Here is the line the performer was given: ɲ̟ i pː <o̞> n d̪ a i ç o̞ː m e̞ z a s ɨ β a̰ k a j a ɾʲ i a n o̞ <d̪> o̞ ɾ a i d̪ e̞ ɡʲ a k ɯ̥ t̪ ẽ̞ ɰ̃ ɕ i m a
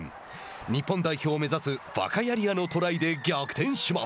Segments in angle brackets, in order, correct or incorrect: incorrect: õ̞, incorrect: t̪

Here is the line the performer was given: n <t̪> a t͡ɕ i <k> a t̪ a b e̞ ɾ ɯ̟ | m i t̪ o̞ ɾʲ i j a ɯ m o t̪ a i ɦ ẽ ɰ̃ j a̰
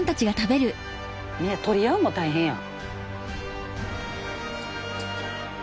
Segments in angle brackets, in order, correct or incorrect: correct, incorrect: ɡ

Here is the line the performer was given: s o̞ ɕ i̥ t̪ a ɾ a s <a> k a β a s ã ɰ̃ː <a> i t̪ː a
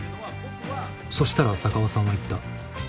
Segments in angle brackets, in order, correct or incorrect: correct, correct

